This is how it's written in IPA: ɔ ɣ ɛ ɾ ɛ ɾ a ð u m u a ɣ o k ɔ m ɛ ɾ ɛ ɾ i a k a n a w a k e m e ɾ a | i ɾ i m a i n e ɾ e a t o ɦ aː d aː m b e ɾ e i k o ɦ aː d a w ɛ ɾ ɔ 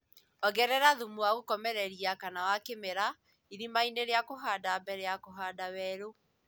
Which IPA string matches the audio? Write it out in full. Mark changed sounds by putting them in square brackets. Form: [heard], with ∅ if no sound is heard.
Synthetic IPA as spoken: ɔ ɣ ɛ ɾ ɛ ɾ a ð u m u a ɣ o k ɔ m ɛ ɾ ɛ ɾ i a k a n a w a k e m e ɾ a | i ɾ i m a i n e ɾ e a [k] o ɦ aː d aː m b [ɛ] ɾ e [a] k o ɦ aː d a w ɛ ɾ [o]